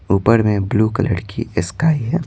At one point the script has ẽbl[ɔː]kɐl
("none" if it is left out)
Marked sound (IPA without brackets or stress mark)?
uː